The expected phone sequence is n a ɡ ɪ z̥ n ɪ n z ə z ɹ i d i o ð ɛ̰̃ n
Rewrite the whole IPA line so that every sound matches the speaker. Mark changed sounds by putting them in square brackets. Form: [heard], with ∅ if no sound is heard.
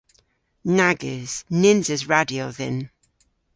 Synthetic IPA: n a ɡ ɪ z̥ n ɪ n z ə z ɹ [a] d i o ð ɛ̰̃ n